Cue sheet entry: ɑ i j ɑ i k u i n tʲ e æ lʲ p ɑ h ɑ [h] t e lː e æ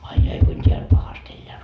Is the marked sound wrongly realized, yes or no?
yes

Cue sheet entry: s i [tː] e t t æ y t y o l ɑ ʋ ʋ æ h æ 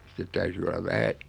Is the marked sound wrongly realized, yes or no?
no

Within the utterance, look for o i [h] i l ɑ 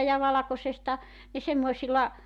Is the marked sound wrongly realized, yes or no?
yes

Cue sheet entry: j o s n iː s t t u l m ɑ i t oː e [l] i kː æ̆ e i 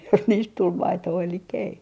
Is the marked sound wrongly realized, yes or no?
no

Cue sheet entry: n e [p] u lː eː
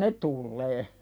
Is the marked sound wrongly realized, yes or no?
yes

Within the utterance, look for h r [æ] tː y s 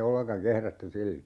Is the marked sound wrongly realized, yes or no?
no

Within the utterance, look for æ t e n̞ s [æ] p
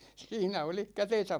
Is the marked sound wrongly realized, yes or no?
no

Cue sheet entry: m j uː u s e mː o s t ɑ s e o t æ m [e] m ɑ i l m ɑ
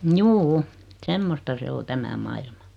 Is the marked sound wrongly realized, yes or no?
yes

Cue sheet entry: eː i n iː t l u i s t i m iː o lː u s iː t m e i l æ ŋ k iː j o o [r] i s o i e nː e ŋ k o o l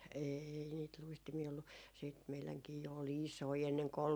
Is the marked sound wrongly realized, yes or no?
yes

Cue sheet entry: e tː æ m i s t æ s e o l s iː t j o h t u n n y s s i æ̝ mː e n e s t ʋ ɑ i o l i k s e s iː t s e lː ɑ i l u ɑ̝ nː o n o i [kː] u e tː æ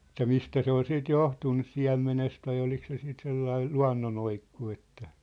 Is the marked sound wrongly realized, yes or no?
no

